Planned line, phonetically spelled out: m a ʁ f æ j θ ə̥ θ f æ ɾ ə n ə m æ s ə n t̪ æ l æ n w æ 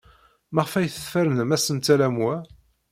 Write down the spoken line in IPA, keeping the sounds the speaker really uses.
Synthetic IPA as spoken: m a ʁ f æ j θ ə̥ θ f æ ɾ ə n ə m æ s ə n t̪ æ l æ m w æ

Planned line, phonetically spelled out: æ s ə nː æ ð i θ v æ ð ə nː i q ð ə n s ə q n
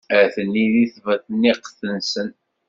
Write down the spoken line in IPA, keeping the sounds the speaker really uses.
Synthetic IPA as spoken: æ θ ə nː i ð i θ v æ θ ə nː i q θ ə n s ə n

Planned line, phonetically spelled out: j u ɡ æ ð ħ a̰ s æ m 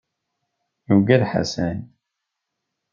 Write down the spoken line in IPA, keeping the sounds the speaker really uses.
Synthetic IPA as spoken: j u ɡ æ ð ħ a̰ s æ n

